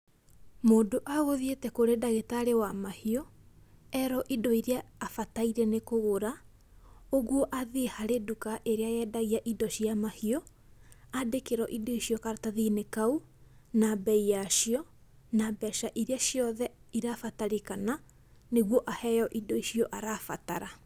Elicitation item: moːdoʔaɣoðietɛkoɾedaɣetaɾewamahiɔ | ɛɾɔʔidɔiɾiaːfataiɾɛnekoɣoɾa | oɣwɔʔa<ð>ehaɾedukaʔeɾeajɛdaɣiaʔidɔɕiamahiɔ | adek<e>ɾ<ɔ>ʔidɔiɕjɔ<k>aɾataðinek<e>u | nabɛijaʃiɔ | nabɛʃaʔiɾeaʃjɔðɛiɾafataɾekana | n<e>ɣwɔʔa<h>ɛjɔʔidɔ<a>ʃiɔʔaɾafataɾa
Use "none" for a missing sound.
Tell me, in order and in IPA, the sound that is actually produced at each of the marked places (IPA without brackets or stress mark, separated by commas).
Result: ð, e, ɔ, k, a, e, h, i